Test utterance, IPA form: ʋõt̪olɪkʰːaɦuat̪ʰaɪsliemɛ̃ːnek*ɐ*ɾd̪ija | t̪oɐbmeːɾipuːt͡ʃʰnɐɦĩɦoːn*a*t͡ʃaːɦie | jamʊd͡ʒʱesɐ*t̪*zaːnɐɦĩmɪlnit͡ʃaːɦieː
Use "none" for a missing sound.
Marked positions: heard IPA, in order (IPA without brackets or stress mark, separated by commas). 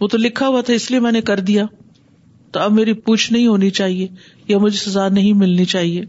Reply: ɐ, i, none